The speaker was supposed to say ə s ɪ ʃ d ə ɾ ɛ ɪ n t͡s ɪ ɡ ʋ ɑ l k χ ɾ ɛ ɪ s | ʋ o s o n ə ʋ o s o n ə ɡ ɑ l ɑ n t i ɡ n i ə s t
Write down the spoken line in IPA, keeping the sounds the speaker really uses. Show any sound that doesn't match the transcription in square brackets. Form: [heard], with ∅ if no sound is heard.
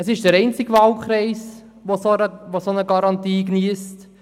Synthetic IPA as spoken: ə s ɪ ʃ d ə ɾ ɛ ɪ n t͡s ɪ ɡ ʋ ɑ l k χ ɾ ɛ ɪ s | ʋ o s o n ə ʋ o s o n ə ɡ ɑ [ɾ] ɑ n t [iː] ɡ n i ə s t